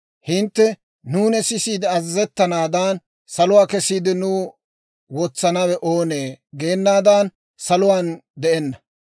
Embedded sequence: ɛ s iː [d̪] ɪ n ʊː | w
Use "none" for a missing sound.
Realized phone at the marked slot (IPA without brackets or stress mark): d̪